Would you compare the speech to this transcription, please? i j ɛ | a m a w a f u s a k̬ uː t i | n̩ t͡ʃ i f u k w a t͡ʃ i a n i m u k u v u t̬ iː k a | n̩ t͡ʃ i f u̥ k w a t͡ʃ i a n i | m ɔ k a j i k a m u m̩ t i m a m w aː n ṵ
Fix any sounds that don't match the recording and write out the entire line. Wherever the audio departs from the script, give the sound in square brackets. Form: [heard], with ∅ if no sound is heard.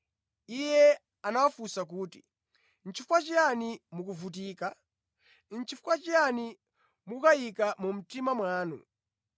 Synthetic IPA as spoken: i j ɛ | a [n] a w a f u s a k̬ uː t i | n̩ t͡ʃ i f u k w a t͡ʃ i a n i m u k u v u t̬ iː k a | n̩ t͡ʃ i f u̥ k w a t͡ʃ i a n i | m [u] k a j i k a m u m̩ t i m a m w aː n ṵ

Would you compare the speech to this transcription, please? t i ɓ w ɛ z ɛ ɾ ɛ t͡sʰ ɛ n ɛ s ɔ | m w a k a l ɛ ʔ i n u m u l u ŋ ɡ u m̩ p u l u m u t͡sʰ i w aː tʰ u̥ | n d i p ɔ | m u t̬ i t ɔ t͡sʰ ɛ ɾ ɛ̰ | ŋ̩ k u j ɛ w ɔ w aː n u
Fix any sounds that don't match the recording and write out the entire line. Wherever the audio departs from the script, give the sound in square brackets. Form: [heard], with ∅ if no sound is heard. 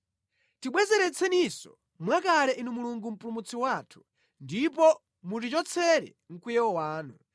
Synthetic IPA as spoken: t i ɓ w ɛ z ɛ ɾ ɛ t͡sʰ ɛ n [i] s ɔ | m w a k a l ɛ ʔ i n u m u l u ŋ ɡ u m̩ p u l u m u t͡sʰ i w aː tʰ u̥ | n d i p ɔ | m u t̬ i [t͡ʃ] ɔ t͡sʰ ɛ ɾ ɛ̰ | ŋ̩ k u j ɛ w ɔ w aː n u

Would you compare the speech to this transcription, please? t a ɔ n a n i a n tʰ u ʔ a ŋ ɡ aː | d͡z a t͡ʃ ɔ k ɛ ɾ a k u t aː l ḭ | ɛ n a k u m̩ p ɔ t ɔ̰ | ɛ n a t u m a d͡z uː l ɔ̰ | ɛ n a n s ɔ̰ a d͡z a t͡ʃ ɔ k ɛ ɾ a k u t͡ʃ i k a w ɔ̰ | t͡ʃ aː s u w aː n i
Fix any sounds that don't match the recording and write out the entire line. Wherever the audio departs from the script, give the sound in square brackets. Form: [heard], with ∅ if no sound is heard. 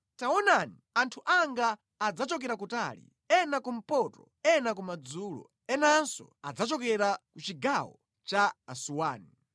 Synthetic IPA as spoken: t a ɔ n a n i a n tʰ u ʔ a ŋ ɡ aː | d͡z a t͡ʃ ɔ k ɛ ɾ a k u t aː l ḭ | ɛ n a k u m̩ p ɔ t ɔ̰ | ɛ n a [k] u m a d͡z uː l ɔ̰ | ɛ n a n s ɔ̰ a d͡z a t͡ʃ ɔ k ɛ ɾ a k u t͡ʃ i [ɡ] a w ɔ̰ | t͡ʃ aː s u w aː n i

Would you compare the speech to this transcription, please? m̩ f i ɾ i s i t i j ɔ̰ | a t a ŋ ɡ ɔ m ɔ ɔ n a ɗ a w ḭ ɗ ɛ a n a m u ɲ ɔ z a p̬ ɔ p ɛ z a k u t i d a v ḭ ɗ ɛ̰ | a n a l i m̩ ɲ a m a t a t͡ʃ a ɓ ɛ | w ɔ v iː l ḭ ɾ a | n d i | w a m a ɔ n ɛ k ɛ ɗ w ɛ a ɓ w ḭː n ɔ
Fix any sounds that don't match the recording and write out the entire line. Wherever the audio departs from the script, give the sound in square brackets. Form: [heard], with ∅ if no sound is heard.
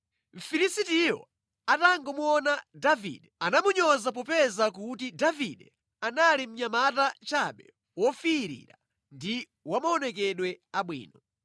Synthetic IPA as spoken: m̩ f i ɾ i s i t i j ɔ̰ | a t a ŋ ɡ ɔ m [u] ɔ n a [d] a [v] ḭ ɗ ɛ a n a m u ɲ ɔ z a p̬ ɔ p ɛ z a k u t i d a v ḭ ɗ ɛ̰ | a n a l i m̩ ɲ a m a t a t͡ʃ a ɓ ɛ | w ɔ [f] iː [ɾ] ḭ ɾ a | n d i | w a m a ɔ n ɛ k ɛ ɗ w ɛ a ɓ w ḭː n ɔ

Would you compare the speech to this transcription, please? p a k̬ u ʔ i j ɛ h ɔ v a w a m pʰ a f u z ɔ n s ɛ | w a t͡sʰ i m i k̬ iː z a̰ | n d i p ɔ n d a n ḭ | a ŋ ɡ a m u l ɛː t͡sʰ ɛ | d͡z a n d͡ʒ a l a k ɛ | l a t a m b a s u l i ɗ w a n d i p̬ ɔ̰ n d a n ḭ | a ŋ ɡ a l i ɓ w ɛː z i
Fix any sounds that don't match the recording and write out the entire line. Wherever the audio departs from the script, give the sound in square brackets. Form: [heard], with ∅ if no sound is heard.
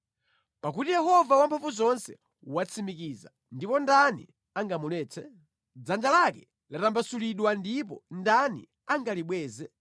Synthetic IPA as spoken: p a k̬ u [t] i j ɛ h ɔ v a w a m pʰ a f u z ɔ n s ɛ | w a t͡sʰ i m i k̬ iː z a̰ | n d i p ɔ n d a n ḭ | a ŋ ɡ a m u l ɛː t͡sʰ ɛ | d͡z a n d͡ʒ a l a k ɛ | l a t a m b a s u l i ɗ w a n d i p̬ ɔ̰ n d a n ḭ | a ŋ ɡ a l i ɓ w ɛː z [ɛ]

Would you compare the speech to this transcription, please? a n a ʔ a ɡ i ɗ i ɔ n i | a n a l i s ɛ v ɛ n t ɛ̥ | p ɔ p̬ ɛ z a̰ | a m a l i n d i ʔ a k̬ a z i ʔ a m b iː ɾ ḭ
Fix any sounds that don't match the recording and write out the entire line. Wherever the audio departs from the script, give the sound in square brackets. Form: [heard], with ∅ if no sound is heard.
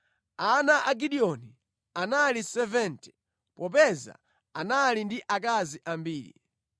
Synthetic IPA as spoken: a n a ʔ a ɡ i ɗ i ɔ n i | a n a l i s ɛ v ɛ n t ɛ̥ | p ɔ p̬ ɛ z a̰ | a [n] a l i n d i ʔ a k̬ a z i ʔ a m b iː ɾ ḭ

